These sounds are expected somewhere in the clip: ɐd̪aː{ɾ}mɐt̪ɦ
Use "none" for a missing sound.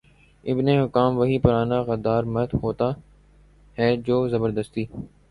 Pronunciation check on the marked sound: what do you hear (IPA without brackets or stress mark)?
ɾ